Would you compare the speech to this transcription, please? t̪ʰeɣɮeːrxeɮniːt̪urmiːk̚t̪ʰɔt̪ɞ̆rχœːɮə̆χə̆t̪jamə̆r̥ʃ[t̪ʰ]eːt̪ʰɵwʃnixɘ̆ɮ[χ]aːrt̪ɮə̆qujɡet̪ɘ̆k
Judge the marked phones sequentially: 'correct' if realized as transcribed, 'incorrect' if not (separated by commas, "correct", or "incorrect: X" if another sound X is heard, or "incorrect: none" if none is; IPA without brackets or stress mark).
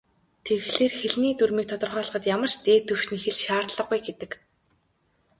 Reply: incorrect: t̪, incorrect: ʃ